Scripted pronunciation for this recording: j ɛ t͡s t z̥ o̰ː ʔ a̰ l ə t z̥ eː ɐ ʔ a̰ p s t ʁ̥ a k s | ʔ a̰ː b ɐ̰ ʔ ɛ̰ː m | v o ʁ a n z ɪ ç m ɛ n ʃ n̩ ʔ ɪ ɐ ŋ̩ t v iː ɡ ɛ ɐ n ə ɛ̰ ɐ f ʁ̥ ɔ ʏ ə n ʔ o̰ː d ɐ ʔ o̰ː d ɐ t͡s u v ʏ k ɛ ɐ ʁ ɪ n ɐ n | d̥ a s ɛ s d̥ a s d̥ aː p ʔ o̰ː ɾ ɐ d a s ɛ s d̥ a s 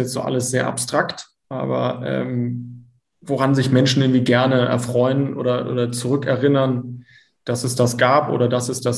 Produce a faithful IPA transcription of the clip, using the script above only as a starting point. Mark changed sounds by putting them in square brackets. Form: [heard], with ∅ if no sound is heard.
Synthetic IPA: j ɛ t͡s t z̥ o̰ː ʔ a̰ l ə [s] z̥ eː ɐ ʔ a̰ p s t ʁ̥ a k [t] | ʔ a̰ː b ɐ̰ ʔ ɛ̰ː m | v o ʁ a n z ɪ ç m ɛ n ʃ n̩ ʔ ɪ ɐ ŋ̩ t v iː ɡ ɛ ɐ n ə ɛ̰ ɐ f ʁ̥ ɔ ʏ ə n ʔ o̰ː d ɐ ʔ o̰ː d ɐ t͡s u [ʁ] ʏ k ɛ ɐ ʁ ɪ n ɐ n | d̥ a s ɛ s d̥ a s [ɡ̥] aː p ʔ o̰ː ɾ ɐ d a s ɛ s d̥ a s